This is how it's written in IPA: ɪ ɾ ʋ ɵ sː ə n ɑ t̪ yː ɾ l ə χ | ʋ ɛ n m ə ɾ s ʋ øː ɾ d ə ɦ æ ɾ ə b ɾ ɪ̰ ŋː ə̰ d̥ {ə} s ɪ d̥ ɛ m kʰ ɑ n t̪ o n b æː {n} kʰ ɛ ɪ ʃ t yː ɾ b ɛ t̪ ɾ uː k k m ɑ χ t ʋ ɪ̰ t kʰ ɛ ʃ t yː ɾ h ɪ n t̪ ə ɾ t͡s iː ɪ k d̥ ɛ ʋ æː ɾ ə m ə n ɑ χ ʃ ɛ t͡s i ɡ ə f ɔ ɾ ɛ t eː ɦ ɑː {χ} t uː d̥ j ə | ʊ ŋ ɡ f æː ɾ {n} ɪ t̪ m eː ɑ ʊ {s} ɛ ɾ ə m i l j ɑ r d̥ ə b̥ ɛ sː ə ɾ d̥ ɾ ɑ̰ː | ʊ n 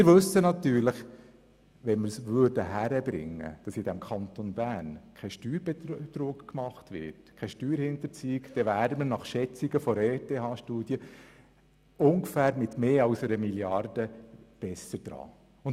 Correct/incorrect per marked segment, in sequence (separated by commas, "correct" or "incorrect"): incorrect, correct, incorrect, incorrect, correct